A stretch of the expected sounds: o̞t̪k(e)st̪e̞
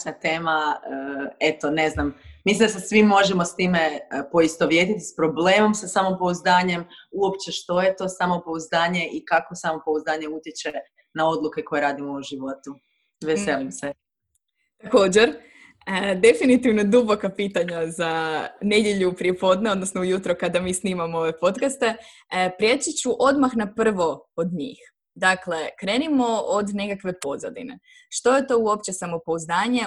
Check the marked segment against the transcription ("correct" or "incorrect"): incorrect